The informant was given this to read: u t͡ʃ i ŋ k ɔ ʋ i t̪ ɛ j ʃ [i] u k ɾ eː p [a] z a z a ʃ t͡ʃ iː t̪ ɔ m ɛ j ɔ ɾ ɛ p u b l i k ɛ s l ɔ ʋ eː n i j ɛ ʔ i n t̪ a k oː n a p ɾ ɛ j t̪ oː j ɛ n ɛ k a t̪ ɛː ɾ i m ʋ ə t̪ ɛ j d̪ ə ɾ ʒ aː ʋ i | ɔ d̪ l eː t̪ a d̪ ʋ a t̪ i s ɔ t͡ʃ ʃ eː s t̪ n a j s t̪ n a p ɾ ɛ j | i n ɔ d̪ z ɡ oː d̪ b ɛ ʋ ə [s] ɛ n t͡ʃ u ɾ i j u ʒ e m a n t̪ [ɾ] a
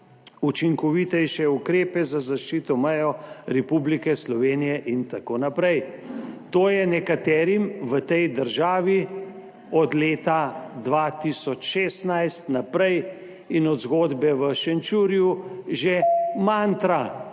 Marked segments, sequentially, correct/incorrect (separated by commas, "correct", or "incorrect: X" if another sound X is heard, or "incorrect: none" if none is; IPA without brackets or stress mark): incorrect: ɛ, incorrect: ɛ, incorrect: ʃ, correct